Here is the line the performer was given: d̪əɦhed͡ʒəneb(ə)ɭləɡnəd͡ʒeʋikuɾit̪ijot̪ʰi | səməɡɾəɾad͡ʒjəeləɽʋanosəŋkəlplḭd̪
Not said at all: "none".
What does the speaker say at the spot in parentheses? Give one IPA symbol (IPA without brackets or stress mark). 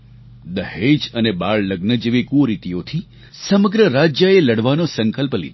a